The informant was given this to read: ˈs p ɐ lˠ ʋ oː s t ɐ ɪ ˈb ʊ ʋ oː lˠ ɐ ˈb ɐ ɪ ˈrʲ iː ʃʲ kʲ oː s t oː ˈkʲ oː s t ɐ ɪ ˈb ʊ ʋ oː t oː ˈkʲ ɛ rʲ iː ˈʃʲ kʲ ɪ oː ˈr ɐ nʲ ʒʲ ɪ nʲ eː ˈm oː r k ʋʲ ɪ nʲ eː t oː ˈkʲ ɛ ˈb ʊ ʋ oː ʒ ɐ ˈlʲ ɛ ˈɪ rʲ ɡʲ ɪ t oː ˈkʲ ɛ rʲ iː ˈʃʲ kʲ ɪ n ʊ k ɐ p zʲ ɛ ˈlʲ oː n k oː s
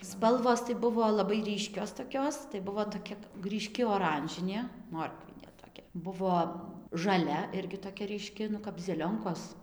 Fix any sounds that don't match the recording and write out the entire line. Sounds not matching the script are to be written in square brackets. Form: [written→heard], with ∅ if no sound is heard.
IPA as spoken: ˈs p ɐ lˠ ʋ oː s t ɐ ɪ ˈb ʊ ʋ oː lˠ ɐ ˈb ɐ ɪ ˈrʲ iː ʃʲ kʲ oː s t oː ˈkʲ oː s t ɐ ɪ ˈb ʊ ʋ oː t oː ˈkʲ ɛ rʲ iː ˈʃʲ kʲ ɪ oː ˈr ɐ nʲ ʒʲ ɪ nʲ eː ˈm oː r k ʋʲ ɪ nʲ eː t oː ˈkʲ ɛ ˈb ʊ ʋ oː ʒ ɐ ˈlʲ ɛ ˈɪ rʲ ɡʲ ɪ t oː ˈkʲ ɛ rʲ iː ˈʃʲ kʲ ɪ n ʊ k ɐ p zʲ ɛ ˈlʲ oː [n→ŋ] k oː s